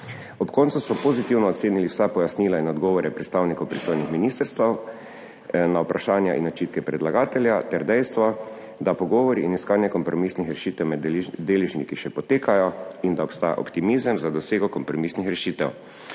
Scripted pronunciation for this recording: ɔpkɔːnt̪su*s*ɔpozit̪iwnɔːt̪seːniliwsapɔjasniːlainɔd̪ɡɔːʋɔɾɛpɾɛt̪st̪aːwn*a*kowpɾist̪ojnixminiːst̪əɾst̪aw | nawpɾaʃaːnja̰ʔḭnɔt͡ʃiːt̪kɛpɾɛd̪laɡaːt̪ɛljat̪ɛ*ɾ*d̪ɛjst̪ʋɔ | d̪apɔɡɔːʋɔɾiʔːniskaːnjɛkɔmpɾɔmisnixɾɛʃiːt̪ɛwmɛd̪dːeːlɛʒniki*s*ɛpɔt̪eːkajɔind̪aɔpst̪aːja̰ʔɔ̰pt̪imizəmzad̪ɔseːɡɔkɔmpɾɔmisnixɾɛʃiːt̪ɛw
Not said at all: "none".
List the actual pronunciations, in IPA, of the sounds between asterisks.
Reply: s, i, ɾ, ʃ

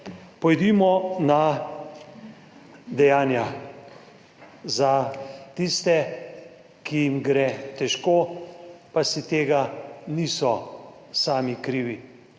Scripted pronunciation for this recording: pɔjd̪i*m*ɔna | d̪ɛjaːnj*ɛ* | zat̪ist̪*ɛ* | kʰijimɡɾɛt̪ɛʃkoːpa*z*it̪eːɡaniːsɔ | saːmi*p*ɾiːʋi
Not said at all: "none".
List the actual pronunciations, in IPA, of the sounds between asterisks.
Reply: m, a, ɛ, s, k

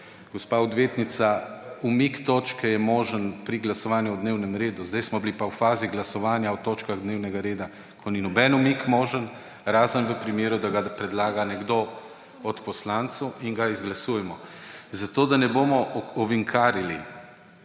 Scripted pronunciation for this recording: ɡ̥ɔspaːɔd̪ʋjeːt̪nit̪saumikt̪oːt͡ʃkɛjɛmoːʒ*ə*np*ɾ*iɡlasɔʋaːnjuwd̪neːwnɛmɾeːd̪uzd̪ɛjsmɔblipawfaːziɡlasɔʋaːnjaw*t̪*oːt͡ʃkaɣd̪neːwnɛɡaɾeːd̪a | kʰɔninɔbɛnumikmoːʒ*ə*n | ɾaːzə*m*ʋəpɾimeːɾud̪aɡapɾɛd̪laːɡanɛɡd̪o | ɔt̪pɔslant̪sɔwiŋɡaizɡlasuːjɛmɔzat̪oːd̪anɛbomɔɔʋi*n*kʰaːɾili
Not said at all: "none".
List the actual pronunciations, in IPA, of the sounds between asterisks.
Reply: ə, ɾ, t̪, ə, n, ŋ

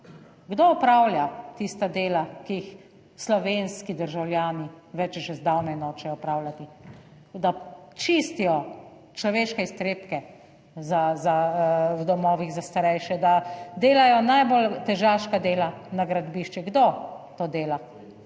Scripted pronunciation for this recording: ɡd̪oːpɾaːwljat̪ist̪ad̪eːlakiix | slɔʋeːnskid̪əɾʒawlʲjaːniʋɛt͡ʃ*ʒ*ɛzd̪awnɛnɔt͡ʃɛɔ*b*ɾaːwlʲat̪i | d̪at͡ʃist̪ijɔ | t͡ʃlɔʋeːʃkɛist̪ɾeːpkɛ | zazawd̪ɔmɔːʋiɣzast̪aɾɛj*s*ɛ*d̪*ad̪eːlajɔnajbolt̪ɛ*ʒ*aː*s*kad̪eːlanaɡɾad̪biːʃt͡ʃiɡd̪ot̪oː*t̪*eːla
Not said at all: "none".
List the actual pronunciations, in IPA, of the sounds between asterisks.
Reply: ʒ, p, ʃ, d̪, ʒ, ʃ, d̪

